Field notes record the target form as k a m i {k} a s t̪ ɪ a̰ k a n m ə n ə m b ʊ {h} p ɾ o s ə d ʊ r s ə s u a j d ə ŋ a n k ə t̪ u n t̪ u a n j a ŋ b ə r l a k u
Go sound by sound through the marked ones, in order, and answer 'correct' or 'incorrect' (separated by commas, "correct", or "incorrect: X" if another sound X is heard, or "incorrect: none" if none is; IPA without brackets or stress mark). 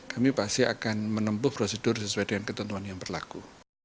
incorrect: p, correct